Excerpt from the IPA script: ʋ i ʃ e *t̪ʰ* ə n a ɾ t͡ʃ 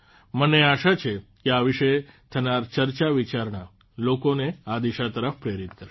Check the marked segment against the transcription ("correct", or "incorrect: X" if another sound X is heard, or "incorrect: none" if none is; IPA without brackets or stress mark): correct